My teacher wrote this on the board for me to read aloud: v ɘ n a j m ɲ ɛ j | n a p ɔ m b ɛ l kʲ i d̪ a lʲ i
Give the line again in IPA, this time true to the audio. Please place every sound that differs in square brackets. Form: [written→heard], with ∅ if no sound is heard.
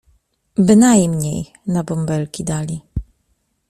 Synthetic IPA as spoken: [v→b] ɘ n a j m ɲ [ɛ→e] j | n a [p→b] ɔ m b ɛ l kʲ i d̪ a lʲ i